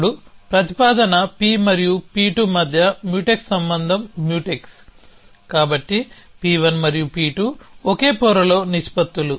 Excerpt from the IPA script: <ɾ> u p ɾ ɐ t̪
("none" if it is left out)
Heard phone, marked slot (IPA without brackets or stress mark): ɽ